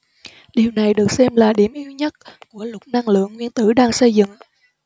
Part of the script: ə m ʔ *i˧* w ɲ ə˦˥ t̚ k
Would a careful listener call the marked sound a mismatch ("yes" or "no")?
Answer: no